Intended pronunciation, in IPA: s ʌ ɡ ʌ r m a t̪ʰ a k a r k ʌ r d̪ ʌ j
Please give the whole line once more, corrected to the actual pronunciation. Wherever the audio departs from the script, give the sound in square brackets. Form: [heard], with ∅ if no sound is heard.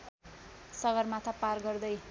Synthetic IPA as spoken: s ʌ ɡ ʌ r m a t̪ʰ a [p] a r [ɡ] ʌ r d̪ ʌ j